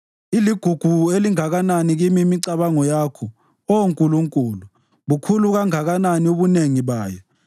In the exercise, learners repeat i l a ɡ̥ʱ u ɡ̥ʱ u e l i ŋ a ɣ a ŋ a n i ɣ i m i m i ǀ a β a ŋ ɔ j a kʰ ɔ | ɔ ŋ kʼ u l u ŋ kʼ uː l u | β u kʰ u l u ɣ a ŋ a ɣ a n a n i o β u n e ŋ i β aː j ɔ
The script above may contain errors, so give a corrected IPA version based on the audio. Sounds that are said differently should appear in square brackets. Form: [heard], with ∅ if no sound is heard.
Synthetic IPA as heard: i l [i] ɡ̥ʱ u ɡ̥ʱ u e l i ŋ a ɣ a [n] a n i ɣ i m i m i ǀ a β a ŋ ɔ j a kʰ ɔ | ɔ ŋ kʼ u l u ŋ kʼ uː l u | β u kʰ u l u ɣ a ŋ a ɣ a n a n i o β u n e ŋ i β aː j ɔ